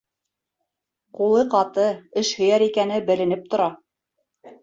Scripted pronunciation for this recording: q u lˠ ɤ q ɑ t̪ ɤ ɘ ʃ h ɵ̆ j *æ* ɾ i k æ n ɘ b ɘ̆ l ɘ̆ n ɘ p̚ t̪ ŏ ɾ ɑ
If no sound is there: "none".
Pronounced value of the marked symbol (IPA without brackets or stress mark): æ